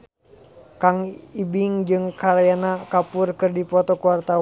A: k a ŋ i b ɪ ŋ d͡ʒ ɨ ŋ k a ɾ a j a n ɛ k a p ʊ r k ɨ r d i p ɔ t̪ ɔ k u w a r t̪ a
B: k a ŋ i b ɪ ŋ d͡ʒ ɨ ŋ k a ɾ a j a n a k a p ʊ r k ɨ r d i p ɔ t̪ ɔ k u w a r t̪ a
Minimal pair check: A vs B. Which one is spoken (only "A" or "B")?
B